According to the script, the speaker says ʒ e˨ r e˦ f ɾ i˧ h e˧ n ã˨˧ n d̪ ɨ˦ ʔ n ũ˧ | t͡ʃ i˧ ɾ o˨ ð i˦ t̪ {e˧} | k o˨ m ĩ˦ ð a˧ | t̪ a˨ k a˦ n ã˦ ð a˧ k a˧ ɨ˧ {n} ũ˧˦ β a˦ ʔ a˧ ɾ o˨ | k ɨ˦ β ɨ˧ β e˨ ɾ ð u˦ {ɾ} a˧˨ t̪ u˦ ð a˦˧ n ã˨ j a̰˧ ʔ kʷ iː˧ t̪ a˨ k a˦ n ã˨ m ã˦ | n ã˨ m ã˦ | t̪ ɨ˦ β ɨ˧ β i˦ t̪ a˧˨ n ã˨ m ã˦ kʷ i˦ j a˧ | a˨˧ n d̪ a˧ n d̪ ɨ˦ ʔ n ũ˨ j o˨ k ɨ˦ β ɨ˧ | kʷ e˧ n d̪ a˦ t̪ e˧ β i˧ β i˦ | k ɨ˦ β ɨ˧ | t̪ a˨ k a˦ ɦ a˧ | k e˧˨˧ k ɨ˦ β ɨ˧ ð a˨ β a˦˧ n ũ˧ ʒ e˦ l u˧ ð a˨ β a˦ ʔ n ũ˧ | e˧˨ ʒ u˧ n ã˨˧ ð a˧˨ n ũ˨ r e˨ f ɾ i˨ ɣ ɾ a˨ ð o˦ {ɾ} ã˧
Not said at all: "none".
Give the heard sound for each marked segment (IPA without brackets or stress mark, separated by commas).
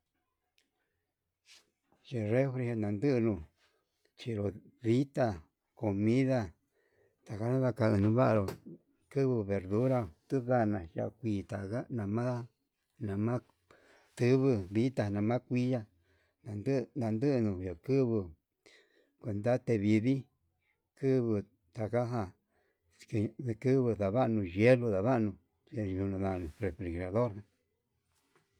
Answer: a˧, n, ɾ, ɾ